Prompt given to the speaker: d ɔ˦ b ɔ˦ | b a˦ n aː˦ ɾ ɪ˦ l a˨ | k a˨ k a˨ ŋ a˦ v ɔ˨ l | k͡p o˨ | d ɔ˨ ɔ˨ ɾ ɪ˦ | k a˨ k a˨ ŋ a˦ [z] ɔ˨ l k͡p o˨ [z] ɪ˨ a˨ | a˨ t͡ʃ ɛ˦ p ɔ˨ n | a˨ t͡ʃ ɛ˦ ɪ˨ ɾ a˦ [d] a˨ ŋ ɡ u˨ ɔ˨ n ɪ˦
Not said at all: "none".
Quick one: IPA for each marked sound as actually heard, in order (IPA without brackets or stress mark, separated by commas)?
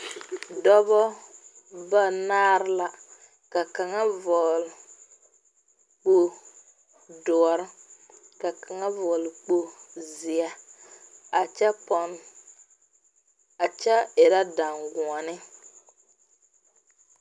v, z, d